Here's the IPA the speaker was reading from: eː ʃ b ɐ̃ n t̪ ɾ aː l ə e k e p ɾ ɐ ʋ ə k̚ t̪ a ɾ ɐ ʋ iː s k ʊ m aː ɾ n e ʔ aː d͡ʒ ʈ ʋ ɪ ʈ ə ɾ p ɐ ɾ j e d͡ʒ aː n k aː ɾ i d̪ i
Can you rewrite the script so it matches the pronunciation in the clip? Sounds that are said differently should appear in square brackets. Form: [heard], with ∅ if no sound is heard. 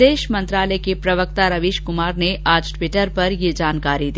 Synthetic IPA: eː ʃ [m] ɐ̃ n t̪ ɾ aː l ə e k e p ɾ ɐ ʋ ə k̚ t̪ a ɾ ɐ ʋ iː [ʃ] k ʊ m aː ɾ n e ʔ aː d͡ʒ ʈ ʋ ɪ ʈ ə ɾ p ɐ ɾ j e d͡ʒ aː n k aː ɾ i d̪ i